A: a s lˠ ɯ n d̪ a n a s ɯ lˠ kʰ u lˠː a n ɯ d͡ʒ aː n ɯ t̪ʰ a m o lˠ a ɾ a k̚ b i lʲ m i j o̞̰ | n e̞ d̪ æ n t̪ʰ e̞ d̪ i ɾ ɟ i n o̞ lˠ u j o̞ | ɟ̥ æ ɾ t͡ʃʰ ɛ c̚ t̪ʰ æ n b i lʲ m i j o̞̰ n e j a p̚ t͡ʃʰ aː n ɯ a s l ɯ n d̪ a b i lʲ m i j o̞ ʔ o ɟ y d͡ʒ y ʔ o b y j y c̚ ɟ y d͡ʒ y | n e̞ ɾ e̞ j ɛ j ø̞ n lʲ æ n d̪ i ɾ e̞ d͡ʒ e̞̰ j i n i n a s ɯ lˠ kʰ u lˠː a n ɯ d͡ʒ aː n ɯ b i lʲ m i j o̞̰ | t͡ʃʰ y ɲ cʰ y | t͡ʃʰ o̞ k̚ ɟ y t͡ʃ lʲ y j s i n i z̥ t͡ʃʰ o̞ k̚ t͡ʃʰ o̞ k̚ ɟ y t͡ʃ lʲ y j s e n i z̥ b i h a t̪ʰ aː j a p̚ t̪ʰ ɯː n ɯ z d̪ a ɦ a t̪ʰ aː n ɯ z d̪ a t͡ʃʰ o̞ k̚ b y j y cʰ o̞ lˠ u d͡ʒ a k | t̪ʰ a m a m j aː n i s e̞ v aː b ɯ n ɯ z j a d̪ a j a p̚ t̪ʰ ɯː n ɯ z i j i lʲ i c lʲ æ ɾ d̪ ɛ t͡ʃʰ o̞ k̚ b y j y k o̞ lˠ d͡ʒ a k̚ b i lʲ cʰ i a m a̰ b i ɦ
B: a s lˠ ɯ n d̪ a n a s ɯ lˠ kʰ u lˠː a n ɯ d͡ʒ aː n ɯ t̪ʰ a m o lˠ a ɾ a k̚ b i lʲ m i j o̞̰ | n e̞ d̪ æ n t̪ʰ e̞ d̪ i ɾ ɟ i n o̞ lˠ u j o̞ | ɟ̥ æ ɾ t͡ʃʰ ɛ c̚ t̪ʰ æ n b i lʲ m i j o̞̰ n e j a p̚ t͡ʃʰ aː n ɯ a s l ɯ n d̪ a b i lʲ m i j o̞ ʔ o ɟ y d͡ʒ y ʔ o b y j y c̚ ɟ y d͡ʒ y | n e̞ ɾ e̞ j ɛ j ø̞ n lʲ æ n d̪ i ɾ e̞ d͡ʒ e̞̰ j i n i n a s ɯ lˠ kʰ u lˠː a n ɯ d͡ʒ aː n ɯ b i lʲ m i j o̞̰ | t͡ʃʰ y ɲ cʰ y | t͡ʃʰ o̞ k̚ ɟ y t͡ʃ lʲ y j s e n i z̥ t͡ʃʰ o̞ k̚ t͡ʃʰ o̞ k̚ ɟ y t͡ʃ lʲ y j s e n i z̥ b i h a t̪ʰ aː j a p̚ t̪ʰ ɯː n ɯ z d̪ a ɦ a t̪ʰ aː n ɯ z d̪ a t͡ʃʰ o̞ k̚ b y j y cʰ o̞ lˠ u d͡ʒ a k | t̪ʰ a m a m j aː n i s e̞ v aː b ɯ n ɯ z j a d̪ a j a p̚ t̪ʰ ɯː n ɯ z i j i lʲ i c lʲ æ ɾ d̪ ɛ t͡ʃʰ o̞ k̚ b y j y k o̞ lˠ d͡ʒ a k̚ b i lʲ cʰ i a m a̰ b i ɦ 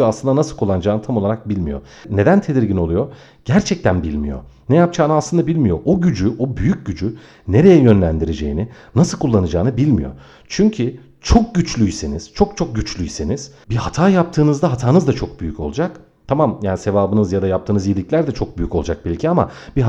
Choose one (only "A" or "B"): B